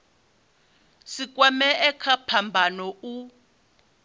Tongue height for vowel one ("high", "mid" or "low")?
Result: high